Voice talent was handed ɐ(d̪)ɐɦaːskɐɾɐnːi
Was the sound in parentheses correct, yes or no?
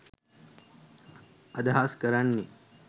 yes